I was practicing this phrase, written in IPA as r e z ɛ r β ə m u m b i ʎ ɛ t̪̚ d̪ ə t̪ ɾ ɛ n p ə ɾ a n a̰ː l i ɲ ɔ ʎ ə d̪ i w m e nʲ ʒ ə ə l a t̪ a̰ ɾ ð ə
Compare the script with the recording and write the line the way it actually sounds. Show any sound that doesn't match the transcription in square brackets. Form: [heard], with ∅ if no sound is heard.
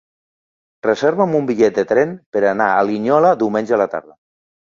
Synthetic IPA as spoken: r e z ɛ [ɾ] β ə m u m b i ʎ ɛ t̪̚ d̪ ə t̪ ɾ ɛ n p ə ɾ a n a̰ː l i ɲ ɔ [l] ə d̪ i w m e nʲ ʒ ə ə l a t̪ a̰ ɾ ð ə